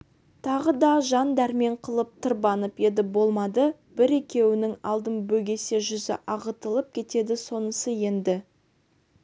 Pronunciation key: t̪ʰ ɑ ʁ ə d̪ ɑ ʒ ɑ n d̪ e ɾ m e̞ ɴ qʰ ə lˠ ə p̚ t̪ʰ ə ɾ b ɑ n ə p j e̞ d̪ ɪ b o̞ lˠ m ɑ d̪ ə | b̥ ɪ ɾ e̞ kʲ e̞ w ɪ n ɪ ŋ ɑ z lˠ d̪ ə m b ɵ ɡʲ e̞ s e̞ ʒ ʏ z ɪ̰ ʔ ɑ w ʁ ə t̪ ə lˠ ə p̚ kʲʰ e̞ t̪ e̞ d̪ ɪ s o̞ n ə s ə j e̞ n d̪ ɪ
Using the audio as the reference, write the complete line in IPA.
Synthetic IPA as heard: t̪ʰ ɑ ʁ ə d̪ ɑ ʒ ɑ n d̪ æ ɾ m e̞ ɴ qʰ ə lˠ ə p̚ t̪ʰ ə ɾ b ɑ n ə p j e̞ d̪ ɪ b o̞ lˠ m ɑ d̪ ə | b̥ ɪ ɾ e̞ kʲ e̞ w ɪ n ɪ ŋ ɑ lˠ d̪ ə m b ɵ ɡʲ e̞ s e̞ ʒ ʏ z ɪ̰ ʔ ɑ ʁ ə t̪ ə lˠ ə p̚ kʲʰ e̞ t̪ e̞ d̪ ɪ s o̞ n ə s ə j e̞ n d̪ ɪ